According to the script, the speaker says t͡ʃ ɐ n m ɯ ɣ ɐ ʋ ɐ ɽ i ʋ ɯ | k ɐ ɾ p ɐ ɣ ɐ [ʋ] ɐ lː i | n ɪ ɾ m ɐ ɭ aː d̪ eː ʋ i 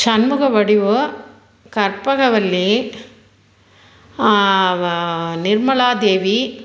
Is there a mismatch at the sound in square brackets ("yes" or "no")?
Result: no